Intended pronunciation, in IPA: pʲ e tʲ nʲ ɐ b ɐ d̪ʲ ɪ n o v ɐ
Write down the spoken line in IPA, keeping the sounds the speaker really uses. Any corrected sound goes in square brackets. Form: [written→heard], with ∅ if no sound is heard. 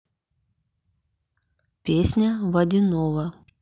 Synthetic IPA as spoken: pʲ e [tʲ→sʲ] nʲ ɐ [b→v] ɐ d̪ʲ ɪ n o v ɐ